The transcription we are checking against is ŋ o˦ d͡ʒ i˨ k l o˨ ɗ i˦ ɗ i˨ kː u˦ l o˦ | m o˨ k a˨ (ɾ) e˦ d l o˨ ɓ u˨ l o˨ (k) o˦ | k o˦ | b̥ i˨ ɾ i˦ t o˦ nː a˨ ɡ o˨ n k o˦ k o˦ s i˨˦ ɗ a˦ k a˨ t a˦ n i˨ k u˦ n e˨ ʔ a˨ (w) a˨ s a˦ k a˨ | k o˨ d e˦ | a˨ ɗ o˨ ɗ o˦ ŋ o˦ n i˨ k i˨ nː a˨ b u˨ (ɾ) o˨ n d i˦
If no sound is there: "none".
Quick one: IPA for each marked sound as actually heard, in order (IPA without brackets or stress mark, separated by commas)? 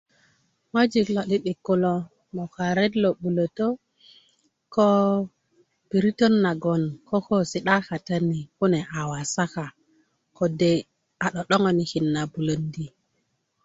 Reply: ɾ, t, w, l